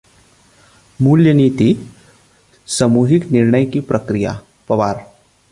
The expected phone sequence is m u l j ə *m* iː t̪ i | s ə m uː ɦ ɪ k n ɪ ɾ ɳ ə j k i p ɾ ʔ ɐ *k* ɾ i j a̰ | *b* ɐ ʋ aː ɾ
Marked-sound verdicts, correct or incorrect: incorrect, correct, incorrect

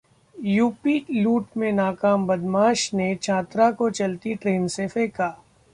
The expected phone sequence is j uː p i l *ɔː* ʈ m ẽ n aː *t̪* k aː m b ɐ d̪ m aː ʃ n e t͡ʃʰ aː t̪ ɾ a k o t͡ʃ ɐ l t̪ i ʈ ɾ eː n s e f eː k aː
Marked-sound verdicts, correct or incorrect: incorrect, incorrect

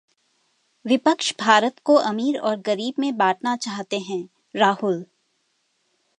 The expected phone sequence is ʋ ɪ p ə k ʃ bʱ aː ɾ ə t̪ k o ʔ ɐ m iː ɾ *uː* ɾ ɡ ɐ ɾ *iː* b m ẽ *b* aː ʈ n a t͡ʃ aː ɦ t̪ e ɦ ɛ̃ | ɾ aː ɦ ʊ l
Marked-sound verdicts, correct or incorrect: incorrect, correct, correct

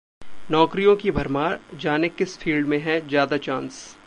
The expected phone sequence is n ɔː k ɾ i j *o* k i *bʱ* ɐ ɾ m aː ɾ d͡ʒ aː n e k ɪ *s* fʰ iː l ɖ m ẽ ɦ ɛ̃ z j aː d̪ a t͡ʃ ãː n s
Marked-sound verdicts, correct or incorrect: incorrect, correct, correct

